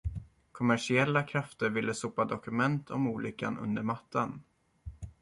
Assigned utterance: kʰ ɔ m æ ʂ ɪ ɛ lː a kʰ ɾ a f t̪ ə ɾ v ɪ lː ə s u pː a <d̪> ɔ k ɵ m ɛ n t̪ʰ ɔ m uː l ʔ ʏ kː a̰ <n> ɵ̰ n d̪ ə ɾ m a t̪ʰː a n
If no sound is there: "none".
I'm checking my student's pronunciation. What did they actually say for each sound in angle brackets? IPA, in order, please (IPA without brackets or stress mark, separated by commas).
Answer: d̪, n